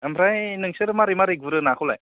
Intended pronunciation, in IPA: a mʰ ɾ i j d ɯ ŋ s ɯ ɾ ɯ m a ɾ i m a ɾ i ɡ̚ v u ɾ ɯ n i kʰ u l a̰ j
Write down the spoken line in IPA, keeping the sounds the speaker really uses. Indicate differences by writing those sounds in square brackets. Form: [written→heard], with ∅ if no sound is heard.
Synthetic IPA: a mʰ ɾ [i→a] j [d→n] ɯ ŋ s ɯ ɾ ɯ m a ɾ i m a ɾ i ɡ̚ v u ɾ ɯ n [i→a] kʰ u l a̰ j